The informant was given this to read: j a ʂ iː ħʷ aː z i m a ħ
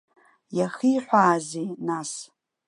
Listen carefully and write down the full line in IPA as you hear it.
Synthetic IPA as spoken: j a χ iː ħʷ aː z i n a s